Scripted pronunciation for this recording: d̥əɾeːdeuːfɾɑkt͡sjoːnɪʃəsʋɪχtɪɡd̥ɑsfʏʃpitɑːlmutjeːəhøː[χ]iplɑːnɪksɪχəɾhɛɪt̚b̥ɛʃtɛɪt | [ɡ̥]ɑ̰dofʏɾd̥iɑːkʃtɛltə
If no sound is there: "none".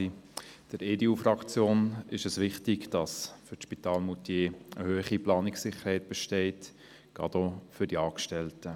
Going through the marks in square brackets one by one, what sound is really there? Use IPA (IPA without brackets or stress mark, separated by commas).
χ, ɡ̥